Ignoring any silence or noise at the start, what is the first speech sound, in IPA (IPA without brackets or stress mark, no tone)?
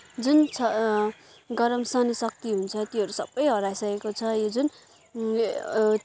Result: d͡z